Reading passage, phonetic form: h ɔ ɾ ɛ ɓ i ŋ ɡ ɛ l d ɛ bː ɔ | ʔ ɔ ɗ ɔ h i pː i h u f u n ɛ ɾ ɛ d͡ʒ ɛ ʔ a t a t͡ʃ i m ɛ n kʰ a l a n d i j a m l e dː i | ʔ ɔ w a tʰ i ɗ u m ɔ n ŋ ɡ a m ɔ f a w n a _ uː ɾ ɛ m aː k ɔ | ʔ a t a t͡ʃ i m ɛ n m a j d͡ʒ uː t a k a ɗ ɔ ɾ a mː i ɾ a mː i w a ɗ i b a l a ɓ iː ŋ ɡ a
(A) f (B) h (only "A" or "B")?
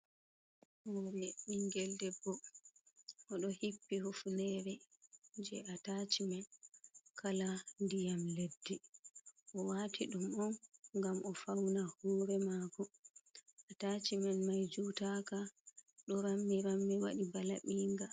B